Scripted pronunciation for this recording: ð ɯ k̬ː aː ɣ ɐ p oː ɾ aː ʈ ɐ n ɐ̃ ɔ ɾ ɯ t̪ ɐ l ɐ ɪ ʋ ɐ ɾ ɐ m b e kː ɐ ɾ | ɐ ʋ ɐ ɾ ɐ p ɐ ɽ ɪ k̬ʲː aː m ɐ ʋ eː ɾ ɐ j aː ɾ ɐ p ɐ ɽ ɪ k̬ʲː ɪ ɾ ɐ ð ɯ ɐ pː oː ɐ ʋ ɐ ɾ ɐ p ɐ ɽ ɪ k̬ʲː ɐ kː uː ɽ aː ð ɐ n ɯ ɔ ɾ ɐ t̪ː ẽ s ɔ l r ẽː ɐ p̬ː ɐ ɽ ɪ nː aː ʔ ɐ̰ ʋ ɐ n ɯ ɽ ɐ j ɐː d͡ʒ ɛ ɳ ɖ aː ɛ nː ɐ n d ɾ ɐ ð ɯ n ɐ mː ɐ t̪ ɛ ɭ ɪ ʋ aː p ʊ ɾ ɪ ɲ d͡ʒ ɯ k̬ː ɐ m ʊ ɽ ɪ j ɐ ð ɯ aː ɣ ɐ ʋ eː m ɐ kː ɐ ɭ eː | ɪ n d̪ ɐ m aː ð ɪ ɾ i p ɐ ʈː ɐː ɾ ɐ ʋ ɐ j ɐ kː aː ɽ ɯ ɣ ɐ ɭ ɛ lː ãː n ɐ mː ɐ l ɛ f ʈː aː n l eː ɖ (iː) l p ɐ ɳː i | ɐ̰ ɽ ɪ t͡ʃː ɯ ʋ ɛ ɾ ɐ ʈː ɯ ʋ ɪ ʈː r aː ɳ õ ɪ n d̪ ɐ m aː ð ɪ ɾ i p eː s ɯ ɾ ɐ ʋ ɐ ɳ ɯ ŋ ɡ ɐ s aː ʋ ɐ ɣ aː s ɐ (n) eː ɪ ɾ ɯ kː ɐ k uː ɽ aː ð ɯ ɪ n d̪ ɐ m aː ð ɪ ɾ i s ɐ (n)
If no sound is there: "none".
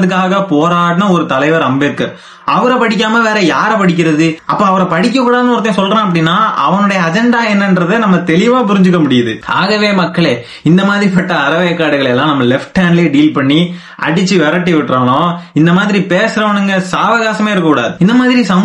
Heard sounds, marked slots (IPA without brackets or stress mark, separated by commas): iː, m, m